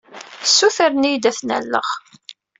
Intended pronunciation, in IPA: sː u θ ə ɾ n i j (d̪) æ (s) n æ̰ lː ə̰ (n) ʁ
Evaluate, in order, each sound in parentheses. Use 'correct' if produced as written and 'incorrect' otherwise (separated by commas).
correct, incorrect, incorrect